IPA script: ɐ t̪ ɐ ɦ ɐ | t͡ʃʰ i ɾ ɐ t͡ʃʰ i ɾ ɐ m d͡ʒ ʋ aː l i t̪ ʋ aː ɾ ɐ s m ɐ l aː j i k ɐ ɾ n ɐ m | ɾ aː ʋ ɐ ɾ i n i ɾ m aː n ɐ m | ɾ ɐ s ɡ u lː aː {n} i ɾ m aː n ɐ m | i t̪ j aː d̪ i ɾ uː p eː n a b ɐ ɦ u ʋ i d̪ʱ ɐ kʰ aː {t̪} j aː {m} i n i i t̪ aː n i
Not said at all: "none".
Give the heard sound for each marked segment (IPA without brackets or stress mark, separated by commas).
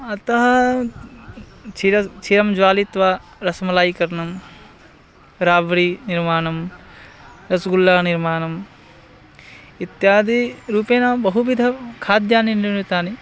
n, d̪, n